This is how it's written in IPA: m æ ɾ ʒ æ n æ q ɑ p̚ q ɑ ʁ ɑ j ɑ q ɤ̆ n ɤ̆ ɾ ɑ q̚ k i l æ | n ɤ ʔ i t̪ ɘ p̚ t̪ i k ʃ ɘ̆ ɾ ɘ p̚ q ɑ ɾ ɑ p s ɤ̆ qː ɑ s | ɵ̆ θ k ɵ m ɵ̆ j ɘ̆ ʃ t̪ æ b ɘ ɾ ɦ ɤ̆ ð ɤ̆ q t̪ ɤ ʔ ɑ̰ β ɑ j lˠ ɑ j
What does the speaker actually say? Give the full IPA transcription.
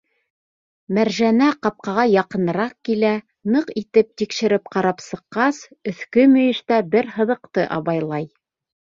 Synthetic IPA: m æ ɾ ʒ æ n æ q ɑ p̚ q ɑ ʁ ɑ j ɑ q ɤ̆ n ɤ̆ ɾ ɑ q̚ k i l æ | n ɤ q i t̪ ɘ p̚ t̪ i k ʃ ɘ̆ ɾ ɘ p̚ q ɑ ɾ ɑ p s ɤ̆ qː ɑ s | ɵ̆ θ k ɵ m ɵ̆ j ɘ̆ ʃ t̪ æ b ɘ ɾ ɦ ɤ̆ ð ɤ̆ q t̪ ɤ ʔ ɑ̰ β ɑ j lˠ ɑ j